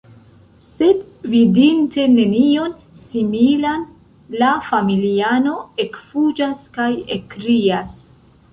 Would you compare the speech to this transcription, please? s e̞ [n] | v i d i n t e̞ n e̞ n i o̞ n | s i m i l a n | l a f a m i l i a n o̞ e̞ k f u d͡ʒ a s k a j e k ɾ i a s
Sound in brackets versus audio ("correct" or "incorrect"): incorrect